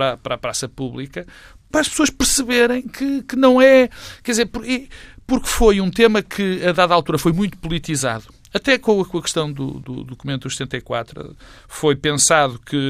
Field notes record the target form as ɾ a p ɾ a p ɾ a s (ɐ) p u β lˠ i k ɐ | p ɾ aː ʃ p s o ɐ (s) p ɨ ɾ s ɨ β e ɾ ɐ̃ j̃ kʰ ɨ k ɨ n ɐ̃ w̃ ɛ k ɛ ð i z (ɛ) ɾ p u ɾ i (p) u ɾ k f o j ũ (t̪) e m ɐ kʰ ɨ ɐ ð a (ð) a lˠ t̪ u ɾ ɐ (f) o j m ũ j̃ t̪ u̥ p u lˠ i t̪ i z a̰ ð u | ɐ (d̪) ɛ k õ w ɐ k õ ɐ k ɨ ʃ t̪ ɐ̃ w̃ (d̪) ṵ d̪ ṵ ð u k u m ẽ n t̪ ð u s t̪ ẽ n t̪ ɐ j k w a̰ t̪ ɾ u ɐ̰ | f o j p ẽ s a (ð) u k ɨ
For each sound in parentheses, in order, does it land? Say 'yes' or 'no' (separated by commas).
yes, no, no, yes, yes, yes, yes, no, yes, yes